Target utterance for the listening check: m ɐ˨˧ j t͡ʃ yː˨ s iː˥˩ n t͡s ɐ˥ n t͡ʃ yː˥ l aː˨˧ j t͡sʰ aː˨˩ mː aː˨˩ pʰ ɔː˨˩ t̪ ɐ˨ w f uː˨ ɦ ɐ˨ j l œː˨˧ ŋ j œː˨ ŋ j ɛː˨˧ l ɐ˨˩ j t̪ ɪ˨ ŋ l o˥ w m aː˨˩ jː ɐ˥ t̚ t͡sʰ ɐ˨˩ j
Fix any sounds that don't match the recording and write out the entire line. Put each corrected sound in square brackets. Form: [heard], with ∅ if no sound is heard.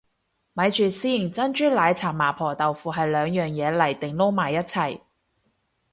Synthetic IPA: m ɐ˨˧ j t͡ʃ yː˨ s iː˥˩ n t͡s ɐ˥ n t͡ʃ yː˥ l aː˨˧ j t͡sʰ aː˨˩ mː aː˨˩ pʰ ɔː˨˩ t̪ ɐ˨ w f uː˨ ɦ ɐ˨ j l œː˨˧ ŋ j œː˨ ŋ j ɛː˨˧ l ɐ˨˩ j t̪ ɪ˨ ŋ l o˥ w m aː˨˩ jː ɐ˥ t̚ t͡sʰ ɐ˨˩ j